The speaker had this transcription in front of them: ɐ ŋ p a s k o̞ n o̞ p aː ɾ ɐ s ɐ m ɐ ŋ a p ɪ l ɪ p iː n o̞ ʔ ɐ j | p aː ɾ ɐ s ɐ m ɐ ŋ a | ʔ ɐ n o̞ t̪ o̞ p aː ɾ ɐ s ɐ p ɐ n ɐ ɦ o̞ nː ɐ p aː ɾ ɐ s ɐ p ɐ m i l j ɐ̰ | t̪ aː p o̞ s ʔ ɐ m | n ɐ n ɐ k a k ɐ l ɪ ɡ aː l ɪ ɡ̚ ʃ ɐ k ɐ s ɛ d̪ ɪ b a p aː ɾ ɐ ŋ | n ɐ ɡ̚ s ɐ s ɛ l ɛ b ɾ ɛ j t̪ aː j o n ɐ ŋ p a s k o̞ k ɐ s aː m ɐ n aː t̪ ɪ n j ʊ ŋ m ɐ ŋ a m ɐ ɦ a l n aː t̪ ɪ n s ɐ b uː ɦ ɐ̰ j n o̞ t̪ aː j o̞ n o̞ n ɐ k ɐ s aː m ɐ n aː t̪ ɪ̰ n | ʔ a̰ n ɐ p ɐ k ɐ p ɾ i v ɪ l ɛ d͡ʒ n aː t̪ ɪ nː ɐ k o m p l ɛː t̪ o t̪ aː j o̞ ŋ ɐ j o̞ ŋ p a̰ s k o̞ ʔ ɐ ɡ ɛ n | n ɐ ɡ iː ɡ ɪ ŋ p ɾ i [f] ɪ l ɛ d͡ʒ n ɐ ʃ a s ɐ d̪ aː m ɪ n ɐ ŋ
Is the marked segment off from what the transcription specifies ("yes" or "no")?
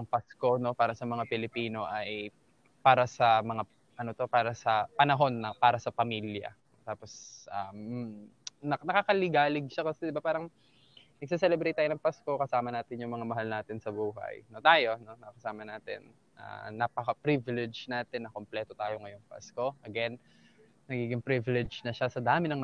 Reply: yes